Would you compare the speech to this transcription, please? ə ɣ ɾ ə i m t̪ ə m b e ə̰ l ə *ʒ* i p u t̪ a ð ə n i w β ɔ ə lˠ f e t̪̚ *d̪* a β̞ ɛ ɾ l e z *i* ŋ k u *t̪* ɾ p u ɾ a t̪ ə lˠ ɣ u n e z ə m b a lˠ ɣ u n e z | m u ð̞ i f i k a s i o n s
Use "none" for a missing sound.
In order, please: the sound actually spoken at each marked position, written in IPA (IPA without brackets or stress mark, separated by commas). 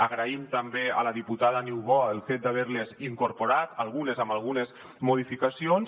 ð, d̪, i, none